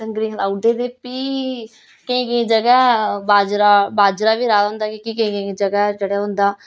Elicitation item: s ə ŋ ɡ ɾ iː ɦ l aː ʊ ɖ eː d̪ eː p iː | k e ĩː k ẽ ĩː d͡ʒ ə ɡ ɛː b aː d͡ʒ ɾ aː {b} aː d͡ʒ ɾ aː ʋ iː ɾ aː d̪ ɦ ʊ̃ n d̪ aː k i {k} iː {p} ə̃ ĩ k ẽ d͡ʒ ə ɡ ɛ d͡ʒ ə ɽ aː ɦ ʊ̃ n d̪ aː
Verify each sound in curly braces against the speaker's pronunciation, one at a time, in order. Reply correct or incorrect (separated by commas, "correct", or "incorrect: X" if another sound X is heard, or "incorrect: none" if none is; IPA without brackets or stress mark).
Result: correct, correct, incorrect: k